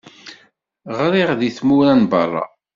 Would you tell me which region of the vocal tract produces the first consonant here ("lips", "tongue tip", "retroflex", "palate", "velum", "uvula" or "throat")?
uvula